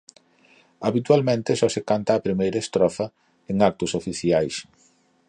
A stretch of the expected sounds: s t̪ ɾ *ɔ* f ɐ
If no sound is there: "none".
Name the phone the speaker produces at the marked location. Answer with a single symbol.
ɔ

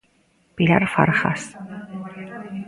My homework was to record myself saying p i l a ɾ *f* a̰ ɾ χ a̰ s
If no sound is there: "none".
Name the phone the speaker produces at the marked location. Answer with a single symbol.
f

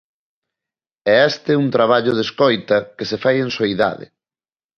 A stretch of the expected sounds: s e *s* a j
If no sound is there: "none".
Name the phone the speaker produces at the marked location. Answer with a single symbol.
f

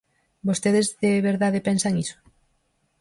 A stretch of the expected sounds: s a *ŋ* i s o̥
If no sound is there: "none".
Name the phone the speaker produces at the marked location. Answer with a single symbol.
ŋ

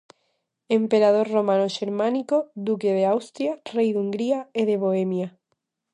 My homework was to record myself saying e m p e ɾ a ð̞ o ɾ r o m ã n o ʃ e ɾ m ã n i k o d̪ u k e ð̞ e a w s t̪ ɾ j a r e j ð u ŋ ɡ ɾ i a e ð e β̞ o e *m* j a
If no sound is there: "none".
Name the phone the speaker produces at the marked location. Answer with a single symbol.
m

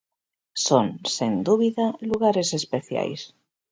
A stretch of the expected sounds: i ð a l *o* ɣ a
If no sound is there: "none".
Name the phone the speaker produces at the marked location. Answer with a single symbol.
u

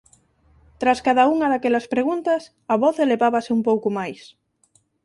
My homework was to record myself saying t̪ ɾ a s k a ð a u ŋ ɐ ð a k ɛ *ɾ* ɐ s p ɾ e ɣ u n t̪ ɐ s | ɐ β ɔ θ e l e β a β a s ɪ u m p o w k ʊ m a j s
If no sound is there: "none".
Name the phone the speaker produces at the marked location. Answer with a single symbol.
l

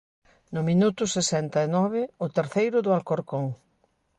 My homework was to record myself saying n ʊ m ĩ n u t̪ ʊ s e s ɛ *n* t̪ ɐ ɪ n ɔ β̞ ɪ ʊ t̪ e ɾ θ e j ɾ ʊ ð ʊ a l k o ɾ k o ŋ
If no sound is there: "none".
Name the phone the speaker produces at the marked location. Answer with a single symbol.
n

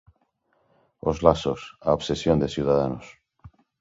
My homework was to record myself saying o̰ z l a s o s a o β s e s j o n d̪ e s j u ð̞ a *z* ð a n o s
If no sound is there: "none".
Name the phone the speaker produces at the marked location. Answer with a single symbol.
none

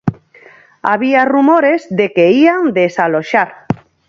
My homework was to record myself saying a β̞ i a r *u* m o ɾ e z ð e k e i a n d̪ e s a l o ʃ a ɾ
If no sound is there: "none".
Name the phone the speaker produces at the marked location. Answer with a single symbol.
u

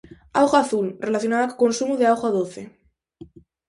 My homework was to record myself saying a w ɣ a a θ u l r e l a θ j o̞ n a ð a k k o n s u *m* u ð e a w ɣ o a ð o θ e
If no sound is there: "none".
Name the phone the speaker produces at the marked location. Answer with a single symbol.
m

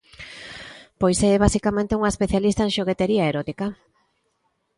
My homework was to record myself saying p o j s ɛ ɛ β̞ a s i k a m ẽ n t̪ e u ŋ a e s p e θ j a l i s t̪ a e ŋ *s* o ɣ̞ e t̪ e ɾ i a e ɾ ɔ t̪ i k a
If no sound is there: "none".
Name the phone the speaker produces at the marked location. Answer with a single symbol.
ʃ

